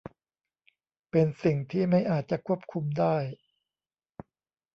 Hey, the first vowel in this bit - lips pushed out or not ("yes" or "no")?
no